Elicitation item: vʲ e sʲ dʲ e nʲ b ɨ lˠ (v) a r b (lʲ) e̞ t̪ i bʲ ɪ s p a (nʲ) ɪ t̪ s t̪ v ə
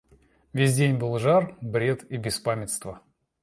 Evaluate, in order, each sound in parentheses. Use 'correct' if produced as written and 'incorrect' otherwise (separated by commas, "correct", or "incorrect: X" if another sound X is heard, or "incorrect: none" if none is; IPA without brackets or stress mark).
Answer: incorrect: ʐ, incorrect: ɾʲ, incorrect: mʲ